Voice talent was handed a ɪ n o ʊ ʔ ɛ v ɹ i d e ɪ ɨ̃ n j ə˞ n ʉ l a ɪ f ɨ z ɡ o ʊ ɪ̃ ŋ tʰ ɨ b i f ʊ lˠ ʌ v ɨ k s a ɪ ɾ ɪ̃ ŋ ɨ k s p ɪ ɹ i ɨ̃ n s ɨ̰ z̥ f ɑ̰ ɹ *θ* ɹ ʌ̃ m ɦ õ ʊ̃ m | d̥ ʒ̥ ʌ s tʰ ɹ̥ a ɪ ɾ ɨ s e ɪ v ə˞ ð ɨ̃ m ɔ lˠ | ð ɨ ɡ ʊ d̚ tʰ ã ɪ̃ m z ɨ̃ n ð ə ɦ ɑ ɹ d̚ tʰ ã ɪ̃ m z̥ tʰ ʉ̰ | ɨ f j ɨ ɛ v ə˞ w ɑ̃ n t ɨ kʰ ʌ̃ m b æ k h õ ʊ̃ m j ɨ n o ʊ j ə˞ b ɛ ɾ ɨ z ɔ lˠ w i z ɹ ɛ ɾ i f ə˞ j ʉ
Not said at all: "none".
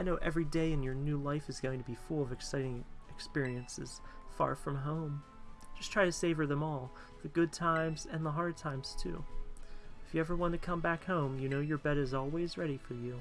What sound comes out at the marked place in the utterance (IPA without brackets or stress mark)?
f